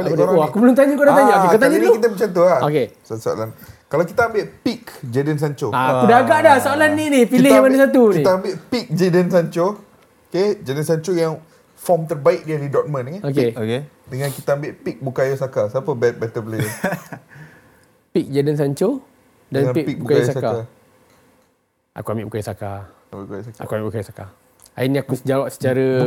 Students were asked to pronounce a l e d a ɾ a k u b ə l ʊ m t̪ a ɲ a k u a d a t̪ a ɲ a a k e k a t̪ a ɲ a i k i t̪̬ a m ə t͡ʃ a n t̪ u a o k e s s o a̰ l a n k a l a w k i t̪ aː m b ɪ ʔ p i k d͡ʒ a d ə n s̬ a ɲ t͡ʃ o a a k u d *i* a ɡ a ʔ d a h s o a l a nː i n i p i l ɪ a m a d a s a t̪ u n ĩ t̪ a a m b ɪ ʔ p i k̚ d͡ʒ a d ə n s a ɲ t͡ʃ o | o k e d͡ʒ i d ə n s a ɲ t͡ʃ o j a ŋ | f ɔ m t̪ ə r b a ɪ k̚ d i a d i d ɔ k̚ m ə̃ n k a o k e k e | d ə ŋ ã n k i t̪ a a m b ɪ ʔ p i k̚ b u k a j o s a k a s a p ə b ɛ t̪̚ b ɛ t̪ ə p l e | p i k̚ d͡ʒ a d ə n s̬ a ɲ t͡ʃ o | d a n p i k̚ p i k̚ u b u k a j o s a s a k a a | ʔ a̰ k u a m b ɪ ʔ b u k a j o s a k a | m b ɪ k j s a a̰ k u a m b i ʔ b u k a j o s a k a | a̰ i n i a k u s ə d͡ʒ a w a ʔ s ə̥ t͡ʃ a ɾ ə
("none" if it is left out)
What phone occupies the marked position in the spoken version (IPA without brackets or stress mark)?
a